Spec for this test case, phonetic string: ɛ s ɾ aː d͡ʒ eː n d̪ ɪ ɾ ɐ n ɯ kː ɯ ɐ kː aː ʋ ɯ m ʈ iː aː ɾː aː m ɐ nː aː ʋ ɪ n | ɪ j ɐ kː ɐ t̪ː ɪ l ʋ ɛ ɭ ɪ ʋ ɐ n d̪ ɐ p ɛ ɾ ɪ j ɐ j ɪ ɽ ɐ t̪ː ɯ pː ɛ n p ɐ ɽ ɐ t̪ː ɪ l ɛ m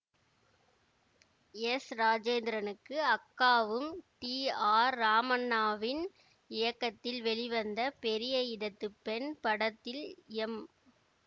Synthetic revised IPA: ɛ s ɾ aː d͡ʒ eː n d̪ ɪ ɾ ɐ n ɯ kː ɯ ɐ kː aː ʋ ɯ m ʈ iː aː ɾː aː m ɐ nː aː ʋ ɪ n | ɪ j ɐ kː ɐ t̪ː ɪ l ʋ ɛ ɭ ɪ ʋ ɐ n d̪ ɐ p ɛ ɾ ɪ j ɐ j ɪ ɽ ɐ t̪ː ɯ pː ɛ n p ɐ ɽ ɐ t̪ː ɪ l ɛ m